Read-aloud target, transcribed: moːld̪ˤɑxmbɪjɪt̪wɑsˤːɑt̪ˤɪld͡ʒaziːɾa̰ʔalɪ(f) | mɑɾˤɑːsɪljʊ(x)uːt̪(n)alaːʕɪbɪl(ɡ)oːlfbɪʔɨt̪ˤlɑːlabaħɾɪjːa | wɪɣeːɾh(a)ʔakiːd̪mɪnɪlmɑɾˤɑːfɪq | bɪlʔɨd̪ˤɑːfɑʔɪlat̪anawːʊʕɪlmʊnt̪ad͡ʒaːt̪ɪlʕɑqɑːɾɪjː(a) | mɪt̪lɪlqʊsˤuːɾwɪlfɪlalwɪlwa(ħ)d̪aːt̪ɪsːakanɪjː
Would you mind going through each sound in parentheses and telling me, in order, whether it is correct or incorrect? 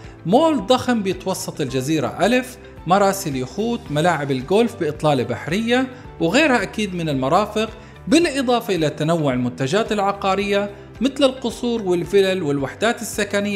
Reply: correct, correct, incorrect: m, correct, correct, correct, correct

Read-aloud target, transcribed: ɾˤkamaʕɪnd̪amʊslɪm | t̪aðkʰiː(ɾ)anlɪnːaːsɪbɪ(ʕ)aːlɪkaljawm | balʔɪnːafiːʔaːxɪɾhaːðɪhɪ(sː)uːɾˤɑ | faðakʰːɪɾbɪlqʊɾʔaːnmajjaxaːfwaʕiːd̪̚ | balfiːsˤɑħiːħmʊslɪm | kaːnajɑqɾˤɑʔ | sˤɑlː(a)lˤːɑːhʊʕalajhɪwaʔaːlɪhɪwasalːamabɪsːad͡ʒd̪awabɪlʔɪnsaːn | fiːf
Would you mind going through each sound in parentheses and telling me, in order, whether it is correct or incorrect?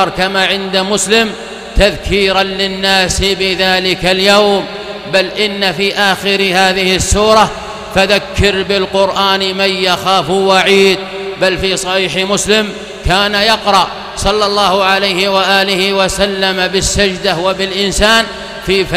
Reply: correct, incorrect: ð, correct, incorrect: ɑ

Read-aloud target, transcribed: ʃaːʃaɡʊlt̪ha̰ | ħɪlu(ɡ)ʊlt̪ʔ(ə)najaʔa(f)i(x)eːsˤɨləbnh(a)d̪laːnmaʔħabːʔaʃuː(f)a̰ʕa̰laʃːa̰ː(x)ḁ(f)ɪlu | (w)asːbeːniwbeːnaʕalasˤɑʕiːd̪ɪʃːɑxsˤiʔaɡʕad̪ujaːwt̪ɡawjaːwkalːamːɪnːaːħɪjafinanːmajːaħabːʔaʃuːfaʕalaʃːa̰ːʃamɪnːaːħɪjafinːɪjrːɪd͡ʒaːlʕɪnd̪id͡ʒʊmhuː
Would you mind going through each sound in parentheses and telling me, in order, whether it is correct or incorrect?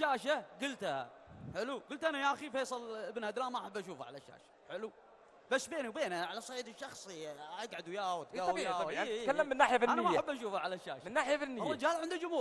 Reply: correct, incorrect: a, incorrect: x, incorrect: f, correct, correct, incorrect: ʃ, incorrect: ħ, incorrect: b

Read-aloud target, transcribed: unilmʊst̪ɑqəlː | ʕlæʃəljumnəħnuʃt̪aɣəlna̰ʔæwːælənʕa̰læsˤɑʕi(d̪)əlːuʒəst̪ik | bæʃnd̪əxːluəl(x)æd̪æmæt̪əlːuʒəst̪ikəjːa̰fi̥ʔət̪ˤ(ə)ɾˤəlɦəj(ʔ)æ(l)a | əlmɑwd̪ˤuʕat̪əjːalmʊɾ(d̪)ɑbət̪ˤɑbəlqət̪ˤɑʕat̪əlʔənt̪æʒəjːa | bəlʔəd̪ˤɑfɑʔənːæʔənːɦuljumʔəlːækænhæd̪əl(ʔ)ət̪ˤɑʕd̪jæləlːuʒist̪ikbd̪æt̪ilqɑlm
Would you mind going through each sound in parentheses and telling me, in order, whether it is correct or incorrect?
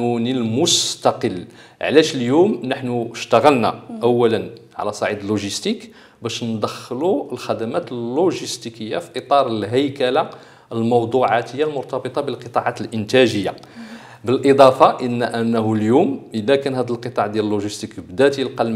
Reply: correct, correct, incorrect: ɑ, incorrect: k, correct, incorrect: t̪, incorrect: q

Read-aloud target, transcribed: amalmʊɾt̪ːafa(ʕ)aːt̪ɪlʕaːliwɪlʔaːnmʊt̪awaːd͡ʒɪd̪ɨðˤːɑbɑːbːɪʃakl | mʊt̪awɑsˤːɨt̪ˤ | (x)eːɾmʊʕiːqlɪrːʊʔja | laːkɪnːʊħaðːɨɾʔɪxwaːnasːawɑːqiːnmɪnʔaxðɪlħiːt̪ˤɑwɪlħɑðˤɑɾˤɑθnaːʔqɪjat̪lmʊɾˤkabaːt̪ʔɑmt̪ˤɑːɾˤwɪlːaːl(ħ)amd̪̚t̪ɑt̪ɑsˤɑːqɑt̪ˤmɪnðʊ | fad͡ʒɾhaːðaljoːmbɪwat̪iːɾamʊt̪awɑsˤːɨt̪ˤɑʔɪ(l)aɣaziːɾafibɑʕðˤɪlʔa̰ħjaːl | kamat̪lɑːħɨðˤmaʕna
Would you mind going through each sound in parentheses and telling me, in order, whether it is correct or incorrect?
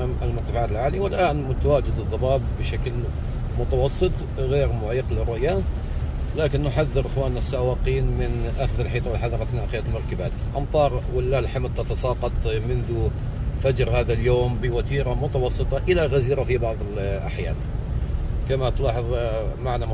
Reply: correct, incorrect: ɣ, correct, correct

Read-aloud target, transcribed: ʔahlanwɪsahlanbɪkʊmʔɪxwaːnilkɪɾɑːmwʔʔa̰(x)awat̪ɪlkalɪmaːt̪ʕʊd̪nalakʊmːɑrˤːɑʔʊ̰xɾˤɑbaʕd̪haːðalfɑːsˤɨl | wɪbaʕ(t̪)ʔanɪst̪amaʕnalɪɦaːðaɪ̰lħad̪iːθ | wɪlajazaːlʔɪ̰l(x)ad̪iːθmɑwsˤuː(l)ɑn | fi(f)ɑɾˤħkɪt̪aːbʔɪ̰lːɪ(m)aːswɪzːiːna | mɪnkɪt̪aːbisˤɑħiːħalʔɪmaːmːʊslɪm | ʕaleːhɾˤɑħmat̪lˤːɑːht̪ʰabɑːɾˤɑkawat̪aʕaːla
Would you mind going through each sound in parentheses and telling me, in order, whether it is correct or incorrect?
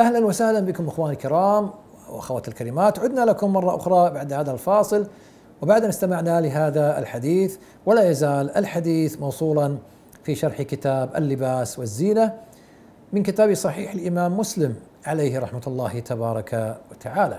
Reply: correct, incorrect: d̪, incorrect: ħ, correct, incorrect: ʃ, incorrect: b

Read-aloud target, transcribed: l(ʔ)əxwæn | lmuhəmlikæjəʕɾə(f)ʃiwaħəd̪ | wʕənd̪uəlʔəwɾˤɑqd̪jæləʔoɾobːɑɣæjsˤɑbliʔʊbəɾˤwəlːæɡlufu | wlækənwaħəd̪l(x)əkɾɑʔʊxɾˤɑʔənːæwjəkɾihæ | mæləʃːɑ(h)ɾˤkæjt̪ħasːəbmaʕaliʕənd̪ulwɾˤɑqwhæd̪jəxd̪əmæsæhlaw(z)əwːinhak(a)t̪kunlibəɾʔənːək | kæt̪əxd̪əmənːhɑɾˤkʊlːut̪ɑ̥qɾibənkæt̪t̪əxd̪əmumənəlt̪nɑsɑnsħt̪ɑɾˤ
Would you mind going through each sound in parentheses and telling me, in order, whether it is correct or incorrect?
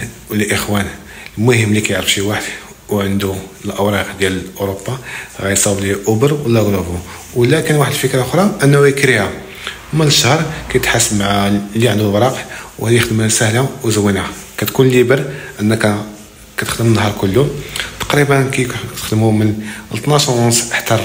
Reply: correct, correct, incorrect: f, correct, correct, incorrect: æ

